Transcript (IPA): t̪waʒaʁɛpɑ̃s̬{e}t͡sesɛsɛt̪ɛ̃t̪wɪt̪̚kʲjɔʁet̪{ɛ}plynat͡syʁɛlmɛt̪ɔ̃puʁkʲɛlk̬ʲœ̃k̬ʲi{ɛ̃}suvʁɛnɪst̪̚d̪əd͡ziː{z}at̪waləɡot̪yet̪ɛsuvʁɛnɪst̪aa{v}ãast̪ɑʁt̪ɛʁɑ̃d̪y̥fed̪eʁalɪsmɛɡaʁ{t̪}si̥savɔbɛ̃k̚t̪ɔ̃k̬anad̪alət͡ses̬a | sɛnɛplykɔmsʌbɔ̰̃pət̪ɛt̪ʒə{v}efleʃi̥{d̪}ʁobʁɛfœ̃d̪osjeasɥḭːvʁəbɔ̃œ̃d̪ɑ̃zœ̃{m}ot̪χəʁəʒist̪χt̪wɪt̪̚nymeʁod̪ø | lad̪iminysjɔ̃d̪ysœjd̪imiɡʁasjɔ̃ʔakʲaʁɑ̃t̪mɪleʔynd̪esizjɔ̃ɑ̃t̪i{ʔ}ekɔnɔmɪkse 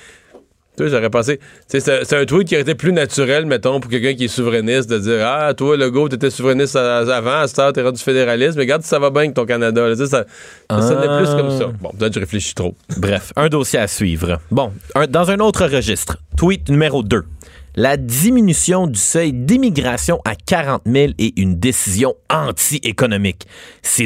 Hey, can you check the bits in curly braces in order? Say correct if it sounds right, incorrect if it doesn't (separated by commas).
correct, incorrect, incorrect, incorrect, correct, incorrect, incorrect, incorrect, incorrect, correct